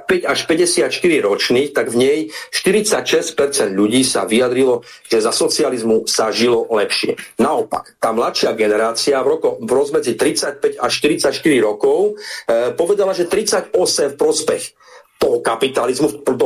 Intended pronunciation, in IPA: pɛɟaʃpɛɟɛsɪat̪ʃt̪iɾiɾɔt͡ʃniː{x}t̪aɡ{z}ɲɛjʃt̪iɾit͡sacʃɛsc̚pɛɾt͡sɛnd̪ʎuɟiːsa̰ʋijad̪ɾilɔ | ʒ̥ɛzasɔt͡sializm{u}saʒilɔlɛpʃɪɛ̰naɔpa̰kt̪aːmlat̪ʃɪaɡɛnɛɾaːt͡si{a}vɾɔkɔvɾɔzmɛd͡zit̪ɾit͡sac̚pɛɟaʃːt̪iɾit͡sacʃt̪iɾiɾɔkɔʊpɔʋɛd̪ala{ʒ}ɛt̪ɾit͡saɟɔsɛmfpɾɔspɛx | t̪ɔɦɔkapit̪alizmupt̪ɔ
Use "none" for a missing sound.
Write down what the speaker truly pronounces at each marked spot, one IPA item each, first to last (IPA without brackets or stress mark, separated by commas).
x, v, u, a, ʒ